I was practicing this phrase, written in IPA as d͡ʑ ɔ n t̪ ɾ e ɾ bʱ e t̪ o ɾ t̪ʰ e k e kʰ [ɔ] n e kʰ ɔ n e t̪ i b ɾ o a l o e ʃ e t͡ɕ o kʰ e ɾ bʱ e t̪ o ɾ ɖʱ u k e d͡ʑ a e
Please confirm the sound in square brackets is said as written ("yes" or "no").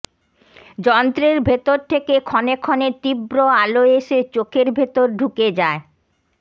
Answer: yes